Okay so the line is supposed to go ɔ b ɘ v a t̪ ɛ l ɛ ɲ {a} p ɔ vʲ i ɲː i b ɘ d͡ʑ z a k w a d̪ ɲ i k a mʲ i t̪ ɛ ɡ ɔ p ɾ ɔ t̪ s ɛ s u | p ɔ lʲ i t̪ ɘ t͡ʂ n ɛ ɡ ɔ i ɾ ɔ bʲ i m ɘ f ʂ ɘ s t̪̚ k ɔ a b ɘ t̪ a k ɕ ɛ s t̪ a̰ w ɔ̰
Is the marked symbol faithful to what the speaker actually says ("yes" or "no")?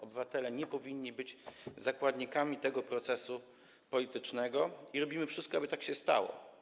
no